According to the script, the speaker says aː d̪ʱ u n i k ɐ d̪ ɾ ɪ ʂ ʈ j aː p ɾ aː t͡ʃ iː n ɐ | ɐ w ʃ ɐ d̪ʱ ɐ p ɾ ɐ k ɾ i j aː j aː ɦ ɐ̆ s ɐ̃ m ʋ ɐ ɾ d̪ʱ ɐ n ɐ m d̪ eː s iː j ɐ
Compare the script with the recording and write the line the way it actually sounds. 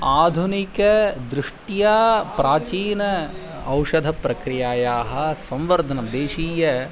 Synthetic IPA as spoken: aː d̪ʱ u n i k ɐ d̪ ɾ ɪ ʂ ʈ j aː p ɾ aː t͡ʃ iː n ɐ | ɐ w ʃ ɐ d̪ʱ ɐ p ɾ ɐ k ɾ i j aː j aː ɦ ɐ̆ s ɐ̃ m ʋ ɐ ɾ d̪ʱ ɐ n ɐ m d̪ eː ʃ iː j ɐ